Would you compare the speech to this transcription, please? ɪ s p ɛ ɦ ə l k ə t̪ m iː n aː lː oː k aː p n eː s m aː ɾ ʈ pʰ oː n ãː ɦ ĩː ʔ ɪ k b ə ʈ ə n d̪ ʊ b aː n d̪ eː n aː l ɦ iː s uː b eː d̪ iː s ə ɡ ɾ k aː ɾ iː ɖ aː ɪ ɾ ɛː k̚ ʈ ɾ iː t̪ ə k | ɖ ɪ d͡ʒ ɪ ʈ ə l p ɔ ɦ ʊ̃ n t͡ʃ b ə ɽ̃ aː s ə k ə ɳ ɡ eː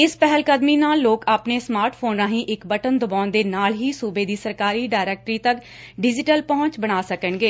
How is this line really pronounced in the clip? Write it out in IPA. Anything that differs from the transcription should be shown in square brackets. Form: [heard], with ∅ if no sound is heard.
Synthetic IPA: ɪ s p ɛ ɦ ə l k ə [d̪] m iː n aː lː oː k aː p n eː s m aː ɾ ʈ pʰ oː n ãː ɦ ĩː ʔ ɪ k b ə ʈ ə n d̪ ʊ b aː n d̪ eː n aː l ɦ iː s uː b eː d̪ iː s ə [∅] ɾ k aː ɾ iː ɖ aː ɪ ɾ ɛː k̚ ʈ ɾ iː t̪ ə k | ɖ ɪ d͡ʒ ɪ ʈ ə l p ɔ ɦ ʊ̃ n t͡ʃ b ə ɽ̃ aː s ə k ə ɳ ɡ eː

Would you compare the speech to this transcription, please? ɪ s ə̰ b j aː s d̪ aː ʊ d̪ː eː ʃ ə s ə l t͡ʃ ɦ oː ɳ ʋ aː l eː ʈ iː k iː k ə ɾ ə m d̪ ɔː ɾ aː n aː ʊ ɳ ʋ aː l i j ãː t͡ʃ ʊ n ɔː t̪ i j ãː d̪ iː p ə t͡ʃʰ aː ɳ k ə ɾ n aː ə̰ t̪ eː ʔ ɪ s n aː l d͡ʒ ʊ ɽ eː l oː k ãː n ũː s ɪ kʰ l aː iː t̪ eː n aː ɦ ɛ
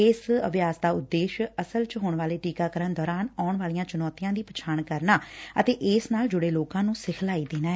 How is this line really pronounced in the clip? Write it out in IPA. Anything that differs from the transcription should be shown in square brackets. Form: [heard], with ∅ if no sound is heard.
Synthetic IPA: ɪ s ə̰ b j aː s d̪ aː ʊ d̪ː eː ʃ ə s ə l t͡ʃ ɦ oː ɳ ʋ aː l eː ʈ iː k [aː] k ə ɾ ə [n] d̪ ɔː ɾ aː n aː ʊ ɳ ʋ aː l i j ãː t͡ʃ ʊ n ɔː t̪ i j ãː d̪ iː p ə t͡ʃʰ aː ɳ k ə ɾ n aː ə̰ t̪ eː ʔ ɪ s n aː l d͡ʒ ʊ ɽ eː l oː k ãː n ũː s ɪ kʰ l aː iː [d̪] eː n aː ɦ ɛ

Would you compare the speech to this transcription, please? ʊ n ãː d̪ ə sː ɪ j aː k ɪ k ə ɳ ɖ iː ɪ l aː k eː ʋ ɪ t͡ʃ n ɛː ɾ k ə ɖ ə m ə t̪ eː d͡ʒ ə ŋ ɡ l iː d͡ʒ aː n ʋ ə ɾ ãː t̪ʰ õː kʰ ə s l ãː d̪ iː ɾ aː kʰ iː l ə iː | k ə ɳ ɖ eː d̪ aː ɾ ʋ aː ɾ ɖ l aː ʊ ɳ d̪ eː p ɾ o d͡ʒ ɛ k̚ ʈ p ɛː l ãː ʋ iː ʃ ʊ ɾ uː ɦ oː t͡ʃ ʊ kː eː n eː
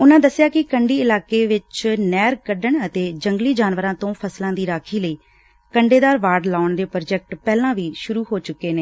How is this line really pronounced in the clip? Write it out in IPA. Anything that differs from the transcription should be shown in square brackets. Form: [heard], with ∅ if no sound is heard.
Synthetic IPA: ʊ n ãː d̪ ə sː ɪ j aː k ɪ k ə ɳ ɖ iː ɪ l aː k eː ʋ ɪ t͡ʃ n ɛː ɾ k ə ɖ ə [ɳ] ə t̪ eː d͡ʒ ə ŋ ɡ l iː d͡ʒ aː n ʋ ə ɾ ãː [t̪] õː [pʰ] ə s l ãː d̪ iː ɾ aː kʰ iː l ə iː | k ə ɳ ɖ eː d̪ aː ɾ ʋ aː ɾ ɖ l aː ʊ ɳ d̪ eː p ɾ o d͡ʒ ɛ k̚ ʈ p ɛː l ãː ʋ iː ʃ ʊ ɾ uː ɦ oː t͡ʃ ʊ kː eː n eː

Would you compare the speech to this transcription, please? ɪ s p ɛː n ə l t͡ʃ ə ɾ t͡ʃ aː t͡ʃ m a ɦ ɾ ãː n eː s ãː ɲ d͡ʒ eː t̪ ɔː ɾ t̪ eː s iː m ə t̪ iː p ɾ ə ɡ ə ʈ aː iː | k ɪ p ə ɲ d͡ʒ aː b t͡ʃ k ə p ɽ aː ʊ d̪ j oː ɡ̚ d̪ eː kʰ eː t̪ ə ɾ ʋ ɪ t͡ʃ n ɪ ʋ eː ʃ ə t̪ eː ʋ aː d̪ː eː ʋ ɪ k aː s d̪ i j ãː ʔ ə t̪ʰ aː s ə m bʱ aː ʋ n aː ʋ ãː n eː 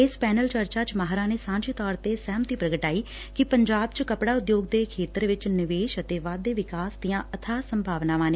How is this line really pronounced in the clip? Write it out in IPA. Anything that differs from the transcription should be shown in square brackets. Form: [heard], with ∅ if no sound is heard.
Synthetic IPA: ɪ s p ɛː n ə l t͡ʃ ə ɾ t͡ʃ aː t͡ʃ m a ɦ ɾ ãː n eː s ãː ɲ d͡ʒ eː t̪ ɔː ɾ t̪ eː s [ɛː] m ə t̪ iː p ɾ ə ɡ ə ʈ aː iː | k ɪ p ə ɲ d͡ʒ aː b t͡ʃ k ə p ɽ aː ʊ d̪ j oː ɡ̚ d̪ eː kʰ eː t̪ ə ɾ ʋ ɪ t͡ʃ n ɪ ʋ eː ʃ ə t̪ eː ʋ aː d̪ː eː ʋ ɪ k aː s d̪ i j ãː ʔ ə t̪ʰ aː s ə m bʱ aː ʋ n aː ʋ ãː n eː

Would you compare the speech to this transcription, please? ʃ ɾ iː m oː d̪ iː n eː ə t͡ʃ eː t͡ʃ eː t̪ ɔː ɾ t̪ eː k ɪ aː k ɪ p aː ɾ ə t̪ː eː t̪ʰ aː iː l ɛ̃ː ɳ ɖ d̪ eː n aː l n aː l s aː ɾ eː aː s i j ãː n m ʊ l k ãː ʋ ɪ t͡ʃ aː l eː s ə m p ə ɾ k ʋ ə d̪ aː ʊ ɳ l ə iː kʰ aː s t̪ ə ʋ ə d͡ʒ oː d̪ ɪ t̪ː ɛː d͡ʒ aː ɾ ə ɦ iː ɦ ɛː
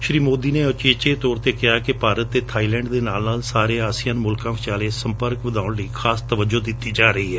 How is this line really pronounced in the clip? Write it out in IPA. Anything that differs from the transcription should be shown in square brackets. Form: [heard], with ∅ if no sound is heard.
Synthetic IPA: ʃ ɾ iː m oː d̪ iː n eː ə t͡ʃ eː t͡ʃ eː t̪ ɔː ɾ t̪ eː k ɪ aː k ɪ p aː ɾ ə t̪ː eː t̪ʰ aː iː l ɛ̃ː ɳ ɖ d̪ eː n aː l n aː l s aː ɾ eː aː s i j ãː n m ʊ l k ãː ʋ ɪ t͡ʃ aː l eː s ə m p ə ɾ k ʋ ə d̪ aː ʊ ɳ l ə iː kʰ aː s t̪ ə ʋ ə d͡ʒ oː d̪ ɪ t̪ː [iː] d͡ʒ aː ɾ ə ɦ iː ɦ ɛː

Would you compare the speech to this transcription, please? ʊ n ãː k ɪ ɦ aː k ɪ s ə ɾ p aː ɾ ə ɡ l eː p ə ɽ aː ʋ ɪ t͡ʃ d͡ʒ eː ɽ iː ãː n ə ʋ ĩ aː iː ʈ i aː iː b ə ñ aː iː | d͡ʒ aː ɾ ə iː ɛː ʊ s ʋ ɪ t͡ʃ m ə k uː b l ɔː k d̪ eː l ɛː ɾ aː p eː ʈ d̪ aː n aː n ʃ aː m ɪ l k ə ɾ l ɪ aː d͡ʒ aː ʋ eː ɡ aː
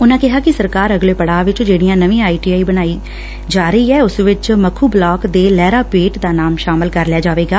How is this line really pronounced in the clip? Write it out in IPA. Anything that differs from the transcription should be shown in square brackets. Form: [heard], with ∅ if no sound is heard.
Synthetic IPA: ʊ n ãː k ɪ ɦ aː k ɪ s ə ɾ [k] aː ɾ ə ɡ l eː p ə ɽ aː ʋ ɪ t͡ʃ d͡ʒ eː ɽ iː ãː n ə ʋ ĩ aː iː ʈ i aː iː b ə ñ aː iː | d͡ʒ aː ɾ ə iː ɛː ʊ s ʋ ɪ t͡ʃ m ə [kʰ] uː b l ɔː k d̪ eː l ɛː ɾ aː p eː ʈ d̪ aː n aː [m] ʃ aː m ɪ l k ə ɾ l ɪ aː d͡ʒ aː ʋ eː ɡ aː

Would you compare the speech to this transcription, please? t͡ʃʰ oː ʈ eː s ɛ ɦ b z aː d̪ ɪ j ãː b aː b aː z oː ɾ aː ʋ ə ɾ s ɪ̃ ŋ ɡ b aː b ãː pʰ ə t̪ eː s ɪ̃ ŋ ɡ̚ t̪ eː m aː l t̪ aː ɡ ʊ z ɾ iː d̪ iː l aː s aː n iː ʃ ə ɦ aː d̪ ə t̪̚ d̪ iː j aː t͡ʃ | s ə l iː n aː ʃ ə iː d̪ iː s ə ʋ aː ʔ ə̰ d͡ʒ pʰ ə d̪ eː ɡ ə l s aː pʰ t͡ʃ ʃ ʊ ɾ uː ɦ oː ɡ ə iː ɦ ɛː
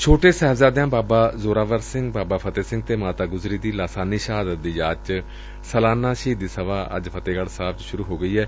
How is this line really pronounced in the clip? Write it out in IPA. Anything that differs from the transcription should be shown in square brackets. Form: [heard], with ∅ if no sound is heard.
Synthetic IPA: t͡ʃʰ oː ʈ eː s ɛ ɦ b z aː d̪ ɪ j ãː b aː b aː z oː ɾ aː ʋ ə ɾ s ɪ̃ ŋ ɡ b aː b [aː] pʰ ə t̪ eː s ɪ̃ ŋ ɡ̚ t̪ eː m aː [∅] t̪ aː ɡ ʊ z ɾ iː d̪ iː l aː s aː n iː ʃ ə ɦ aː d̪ ə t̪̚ d̪ iː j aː t͡ʃ | s ə l [aː] n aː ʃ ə iː d̪ iː s ə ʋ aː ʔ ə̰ d͡ʒ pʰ ə [t̪] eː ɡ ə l s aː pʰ t͡ʃ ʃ ʊ ɾ uː ɦ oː ɡ ə iː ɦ ɛː

